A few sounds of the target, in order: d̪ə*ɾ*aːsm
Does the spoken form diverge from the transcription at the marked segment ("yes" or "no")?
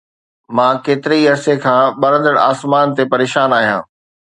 yes